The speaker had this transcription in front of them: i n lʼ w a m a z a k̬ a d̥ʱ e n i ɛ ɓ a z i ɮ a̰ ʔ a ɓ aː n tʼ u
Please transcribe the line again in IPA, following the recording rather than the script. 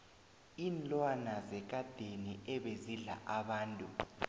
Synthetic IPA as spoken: i n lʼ w a n a z ɛ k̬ a d̥ʱ e n i ɛ ɓ e z i ɮ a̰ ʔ a ɓ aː n tʼ u

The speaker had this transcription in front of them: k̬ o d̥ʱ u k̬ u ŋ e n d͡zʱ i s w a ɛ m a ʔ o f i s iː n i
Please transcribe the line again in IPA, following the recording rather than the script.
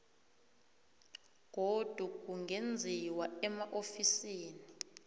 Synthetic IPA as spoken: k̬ o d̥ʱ u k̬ u ŋ e n d͡zʱ i w a ɛ m a ʔ o f i s iː n i

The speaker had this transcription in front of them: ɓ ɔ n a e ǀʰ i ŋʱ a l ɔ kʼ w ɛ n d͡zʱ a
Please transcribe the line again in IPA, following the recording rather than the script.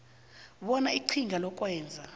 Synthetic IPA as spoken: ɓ ɔ n a i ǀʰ i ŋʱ a l ɔ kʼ w ɛː n d͡zʱ a

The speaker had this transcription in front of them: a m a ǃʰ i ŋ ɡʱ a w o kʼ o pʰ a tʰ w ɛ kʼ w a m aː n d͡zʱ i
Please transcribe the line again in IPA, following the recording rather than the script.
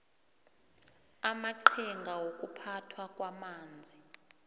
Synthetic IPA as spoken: a m a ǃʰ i ŋ ɡʱ a w o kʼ u pʰ a tʰ w a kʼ w a m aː n d͡zʱ i

